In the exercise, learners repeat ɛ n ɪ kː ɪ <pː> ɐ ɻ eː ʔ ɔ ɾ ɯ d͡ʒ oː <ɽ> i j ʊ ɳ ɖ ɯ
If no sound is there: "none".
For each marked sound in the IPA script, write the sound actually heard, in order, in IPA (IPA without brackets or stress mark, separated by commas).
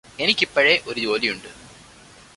pː, l